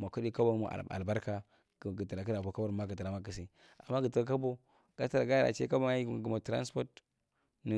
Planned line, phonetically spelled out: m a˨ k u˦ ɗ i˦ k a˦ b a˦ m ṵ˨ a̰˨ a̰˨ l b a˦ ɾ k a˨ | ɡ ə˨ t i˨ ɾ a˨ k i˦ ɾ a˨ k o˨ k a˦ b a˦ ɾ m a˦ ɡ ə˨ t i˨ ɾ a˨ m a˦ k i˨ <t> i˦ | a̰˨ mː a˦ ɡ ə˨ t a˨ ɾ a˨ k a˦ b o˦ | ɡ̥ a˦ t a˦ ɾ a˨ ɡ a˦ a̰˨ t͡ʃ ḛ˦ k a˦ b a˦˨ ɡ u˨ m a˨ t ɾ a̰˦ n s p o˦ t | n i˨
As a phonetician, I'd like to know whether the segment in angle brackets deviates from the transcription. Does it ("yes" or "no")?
yes